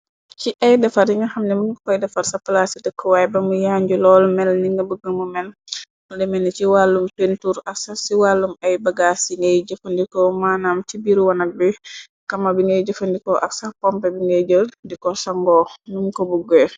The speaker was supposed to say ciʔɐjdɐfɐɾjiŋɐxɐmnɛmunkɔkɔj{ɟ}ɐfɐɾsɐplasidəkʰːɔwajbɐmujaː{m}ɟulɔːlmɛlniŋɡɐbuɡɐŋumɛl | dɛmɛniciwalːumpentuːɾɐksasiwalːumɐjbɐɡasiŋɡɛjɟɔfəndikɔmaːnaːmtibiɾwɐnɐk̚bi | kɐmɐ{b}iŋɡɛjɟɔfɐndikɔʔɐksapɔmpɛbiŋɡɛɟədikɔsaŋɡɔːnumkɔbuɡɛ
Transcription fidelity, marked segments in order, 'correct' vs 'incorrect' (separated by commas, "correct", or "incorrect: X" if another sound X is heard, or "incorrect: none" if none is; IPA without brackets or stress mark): incorrect: d, incorrect: ɲ, correct